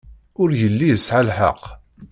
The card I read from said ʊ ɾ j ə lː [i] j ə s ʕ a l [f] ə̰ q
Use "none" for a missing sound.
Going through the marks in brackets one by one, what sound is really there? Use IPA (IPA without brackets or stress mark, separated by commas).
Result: i, ħ